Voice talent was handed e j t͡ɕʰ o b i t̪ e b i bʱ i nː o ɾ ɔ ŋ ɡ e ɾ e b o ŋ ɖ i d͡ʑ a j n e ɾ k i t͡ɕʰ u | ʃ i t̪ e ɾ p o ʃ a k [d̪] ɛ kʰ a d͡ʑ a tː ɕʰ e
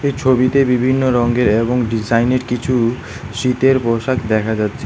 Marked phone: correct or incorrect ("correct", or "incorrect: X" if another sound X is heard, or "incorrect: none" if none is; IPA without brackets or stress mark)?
correct